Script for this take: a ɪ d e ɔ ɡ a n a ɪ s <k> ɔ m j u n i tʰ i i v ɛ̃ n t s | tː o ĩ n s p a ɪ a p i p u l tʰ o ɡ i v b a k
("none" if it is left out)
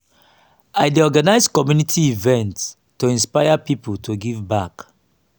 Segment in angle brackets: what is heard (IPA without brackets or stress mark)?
k